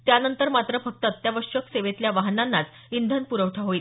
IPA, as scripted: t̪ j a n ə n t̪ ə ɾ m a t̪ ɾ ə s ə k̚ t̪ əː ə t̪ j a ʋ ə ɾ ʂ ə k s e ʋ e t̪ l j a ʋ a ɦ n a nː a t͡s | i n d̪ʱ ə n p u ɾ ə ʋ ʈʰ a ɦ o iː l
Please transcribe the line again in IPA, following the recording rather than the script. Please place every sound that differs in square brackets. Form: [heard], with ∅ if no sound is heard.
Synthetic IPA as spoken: t̪ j a n ə n t̪ ə ɾ m a t̪ ɾ ə [f] ə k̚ t̪ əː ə t̪ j a ʋ ə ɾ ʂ ə k s e ʋ e t̪ l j a ʋ a ɦ n a nː a t͡s | i n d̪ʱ ə n p u ɾ ə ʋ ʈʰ a ɦ o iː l